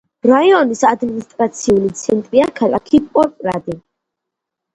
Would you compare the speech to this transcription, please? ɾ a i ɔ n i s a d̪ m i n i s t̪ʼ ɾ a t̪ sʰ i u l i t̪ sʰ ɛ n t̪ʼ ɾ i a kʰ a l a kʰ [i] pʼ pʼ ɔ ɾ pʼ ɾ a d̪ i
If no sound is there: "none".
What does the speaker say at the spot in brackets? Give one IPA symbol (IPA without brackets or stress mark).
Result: i